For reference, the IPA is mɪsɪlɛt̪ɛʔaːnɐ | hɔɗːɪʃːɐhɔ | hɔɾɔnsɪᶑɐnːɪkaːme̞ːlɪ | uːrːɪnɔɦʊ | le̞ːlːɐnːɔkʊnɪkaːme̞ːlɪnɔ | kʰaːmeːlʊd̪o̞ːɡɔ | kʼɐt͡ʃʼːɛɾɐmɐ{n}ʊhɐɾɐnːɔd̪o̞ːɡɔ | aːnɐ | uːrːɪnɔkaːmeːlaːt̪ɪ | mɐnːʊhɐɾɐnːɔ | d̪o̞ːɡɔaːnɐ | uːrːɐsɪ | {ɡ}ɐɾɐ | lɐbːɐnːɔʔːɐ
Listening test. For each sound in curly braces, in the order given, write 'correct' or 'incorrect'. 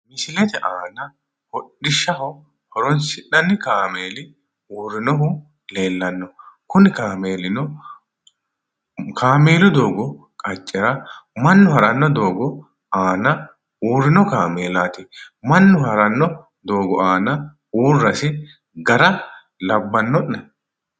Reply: incorrect, correct

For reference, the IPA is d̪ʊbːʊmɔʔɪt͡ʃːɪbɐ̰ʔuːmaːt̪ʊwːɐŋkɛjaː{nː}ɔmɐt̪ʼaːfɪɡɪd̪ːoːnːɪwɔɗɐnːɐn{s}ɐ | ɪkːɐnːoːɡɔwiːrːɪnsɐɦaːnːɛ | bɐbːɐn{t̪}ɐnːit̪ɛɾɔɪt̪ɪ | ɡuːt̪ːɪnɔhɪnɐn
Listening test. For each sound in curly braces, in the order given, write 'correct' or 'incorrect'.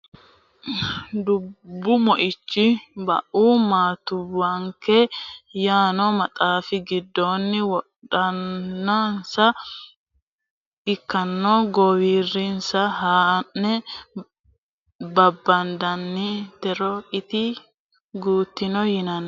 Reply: incorrect, correct, incorrect

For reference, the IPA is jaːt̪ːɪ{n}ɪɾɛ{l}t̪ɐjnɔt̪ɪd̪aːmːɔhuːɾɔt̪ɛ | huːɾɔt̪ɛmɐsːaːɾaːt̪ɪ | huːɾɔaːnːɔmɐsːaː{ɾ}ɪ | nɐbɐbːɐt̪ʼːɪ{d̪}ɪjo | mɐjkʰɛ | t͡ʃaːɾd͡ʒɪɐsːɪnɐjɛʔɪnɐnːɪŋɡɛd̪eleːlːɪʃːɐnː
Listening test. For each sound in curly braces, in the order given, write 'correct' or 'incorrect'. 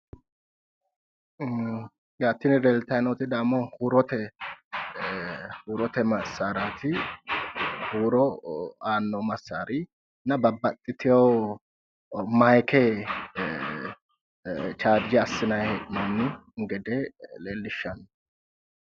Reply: correct, correct, correct, incorrect

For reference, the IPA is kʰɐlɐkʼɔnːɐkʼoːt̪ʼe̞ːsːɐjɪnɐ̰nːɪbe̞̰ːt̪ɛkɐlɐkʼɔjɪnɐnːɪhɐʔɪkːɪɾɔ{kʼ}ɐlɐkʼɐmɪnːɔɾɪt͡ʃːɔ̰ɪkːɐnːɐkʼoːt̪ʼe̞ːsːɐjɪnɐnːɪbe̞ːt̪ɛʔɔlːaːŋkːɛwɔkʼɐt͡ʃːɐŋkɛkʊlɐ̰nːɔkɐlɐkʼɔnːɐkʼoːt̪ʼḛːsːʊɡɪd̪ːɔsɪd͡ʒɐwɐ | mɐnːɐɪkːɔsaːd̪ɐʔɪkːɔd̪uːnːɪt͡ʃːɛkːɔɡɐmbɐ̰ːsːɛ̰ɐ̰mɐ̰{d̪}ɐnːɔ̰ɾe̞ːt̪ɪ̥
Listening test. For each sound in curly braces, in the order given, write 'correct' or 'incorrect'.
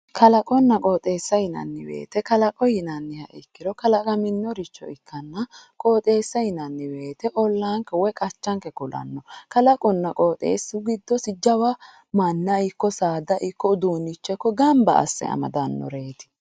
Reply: incorrect, correct

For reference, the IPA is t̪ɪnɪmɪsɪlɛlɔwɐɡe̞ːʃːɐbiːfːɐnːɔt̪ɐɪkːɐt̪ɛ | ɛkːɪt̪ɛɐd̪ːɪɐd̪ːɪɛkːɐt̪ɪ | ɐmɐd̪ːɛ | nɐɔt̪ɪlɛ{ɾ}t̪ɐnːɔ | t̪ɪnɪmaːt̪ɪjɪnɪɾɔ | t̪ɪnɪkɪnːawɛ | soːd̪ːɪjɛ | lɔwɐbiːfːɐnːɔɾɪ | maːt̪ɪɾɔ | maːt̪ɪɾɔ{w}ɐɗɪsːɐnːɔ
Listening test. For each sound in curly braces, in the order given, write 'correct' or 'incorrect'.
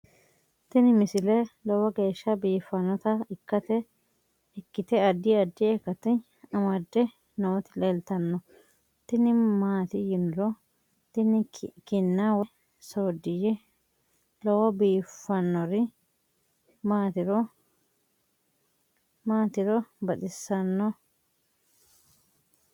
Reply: incorrect, incorrect

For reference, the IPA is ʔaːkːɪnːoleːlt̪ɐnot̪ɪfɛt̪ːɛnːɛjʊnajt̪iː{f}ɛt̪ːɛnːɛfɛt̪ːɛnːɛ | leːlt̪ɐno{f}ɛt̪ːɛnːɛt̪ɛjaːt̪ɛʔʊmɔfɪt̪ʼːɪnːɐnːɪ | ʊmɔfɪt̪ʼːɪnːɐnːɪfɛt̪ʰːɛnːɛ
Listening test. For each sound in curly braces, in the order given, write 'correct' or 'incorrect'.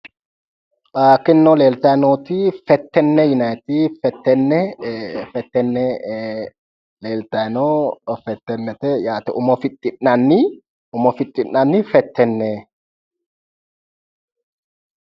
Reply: correct, correct

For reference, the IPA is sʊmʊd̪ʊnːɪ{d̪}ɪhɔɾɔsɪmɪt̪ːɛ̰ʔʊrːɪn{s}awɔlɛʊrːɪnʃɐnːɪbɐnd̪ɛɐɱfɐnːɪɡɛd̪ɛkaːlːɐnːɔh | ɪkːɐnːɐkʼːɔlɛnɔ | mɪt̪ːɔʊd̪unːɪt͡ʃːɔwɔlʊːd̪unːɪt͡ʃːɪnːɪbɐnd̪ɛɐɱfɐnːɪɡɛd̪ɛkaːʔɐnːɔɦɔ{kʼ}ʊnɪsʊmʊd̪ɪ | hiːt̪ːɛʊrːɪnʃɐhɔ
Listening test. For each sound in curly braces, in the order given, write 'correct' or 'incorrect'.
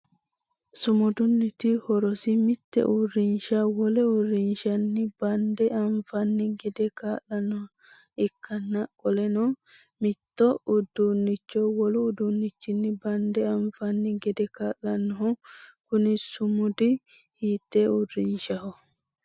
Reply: incorrect, incorrect, incorrect

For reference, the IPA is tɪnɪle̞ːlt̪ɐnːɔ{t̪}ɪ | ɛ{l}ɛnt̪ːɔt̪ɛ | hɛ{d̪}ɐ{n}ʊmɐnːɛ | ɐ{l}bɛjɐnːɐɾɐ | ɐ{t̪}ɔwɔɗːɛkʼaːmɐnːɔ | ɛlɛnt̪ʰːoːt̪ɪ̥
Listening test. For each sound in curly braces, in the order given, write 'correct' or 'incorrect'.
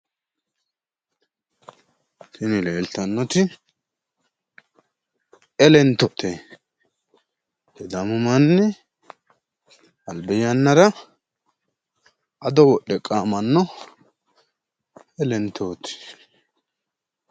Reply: correct, correct, correct, incorrect, correct, incorrect

